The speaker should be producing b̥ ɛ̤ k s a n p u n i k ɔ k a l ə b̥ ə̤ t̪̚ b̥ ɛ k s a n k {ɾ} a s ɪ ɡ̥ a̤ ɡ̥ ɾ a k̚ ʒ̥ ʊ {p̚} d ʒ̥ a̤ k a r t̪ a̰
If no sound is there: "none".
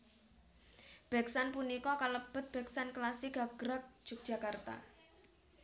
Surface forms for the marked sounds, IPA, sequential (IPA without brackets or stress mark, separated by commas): l, k̚